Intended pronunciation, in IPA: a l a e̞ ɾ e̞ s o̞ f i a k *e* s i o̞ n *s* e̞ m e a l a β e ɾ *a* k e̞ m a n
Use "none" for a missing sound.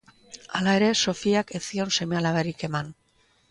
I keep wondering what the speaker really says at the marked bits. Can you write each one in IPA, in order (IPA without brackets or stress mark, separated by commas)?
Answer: e, s, i